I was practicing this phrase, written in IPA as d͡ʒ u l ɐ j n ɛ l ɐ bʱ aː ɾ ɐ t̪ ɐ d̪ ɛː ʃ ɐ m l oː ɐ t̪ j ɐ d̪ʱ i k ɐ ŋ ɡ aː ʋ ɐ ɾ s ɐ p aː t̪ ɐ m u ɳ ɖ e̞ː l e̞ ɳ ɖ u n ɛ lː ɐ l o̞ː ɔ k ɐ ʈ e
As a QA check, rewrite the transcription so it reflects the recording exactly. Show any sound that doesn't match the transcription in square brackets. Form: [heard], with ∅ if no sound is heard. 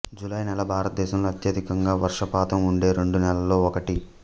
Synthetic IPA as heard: d͡ʒ u l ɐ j n ɛ l ɐ bʱ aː ɾ ɐ t̪ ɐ d̪ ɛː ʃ ɐ m l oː ɐ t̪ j ɐ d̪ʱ i k ɐ ŋ ɡ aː ʋ ɐ ɾ [ʂ] ɐ p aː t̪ ɐ m u ɳ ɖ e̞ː [ɾ] e̞ ɳ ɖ u n ɛ [l] ɐ l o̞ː ɔ k ɐ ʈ [i]